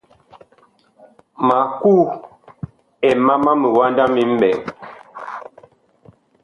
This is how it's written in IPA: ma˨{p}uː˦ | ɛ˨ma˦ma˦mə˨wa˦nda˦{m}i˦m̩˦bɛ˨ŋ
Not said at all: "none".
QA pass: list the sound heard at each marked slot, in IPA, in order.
k, m

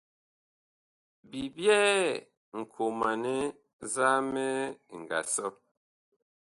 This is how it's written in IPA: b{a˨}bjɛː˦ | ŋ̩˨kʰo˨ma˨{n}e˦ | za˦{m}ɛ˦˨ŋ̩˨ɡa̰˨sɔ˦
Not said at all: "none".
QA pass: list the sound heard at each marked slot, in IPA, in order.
i˨, n, m

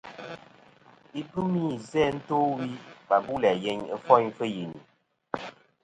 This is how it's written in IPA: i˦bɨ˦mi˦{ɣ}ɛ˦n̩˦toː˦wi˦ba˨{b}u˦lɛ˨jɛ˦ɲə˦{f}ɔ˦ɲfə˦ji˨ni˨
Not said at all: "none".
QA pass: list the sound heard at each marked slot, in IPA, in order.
z, b, f

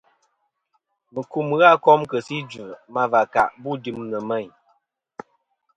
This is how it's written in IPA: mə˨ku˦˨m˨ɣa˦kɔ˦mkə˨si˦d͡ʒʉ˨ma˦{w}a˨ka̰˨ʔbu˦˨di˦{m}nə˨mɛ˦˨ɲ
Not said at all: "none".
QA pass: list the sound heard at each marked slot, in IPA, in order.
v, m

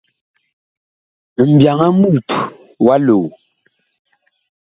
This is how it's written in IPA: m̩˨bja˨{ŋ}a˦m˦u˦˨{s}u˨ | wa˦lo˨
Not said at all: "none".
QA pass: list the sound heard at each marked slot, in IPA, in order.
ŋ, t

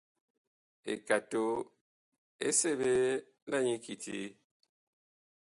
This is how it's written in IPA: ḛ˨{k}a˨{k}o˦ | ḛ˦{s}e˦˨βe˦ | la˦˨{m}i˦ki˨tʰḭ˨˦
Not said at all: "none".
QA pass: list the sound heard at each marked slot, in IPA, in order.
k, t, s, ɲ

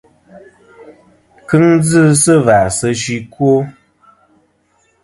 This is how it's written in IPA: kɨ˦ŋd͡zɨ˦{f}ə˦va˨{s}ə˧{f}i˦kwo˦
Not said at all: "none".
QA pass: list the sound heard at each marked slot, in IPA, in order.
s, s, ʃ

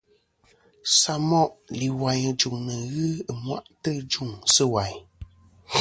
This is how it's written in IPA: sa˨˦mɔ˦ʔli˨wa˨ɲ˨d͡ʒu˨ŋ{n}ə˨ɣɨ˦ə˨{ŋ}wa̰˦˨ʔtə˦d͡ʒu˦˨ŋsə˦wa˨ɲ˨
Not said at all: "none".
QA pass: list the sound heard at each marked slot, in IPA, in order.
n, m

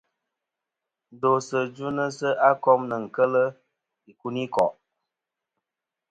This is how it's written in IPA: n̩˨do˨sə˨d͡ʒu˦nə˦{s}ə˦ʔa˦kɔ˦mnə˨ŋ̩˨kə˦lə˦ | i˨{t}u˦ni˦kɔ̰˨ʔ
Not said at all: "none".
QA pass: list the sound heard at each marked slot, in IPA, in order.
s, k

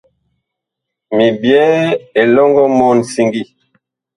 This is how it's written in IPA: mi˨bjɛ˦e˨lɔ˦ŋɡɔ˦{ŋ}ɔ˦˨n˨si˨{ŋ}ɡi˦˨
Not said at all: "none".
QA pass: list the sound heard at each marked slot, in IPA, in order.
m, ŋ

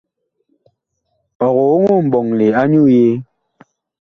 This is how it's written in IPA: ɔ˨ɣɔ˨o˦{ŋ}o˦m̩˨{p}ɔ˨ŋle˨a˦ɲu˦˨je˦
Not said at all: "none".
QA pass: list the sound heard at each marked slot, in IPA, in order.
ŋ, b

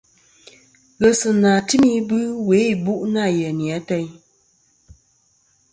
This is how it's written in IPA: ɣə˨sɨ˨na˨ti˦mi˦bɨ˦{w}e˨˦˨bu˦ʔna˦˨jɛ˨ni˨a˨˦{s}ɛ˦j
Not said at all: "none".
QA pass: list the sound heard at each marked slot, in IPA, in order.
w, t

